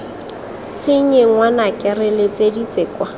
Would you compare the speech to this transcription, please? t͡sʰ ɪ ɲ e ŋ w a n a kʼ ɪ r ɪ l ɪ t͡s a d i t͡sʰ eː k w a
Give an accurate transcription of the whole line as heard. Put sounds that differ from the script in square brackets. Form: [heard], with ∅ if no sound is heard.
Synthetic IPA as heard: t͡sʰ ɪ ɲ e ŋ w a n a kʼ ɪ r ɪ l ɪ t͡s [e] d i [t͡s] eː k w a